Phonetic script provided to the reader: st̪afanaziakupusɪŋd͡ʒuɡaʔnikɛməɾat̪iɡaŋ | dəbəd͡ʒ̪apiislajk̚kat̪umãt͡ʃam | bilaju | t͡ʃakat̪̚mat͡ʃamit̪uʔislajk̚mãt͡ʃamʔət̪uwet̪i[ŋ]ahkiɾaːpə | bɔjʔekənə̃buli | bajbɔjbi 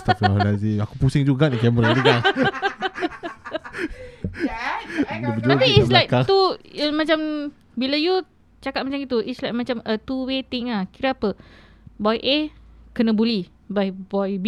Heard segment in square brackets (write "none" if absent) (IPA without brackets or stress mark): ŋ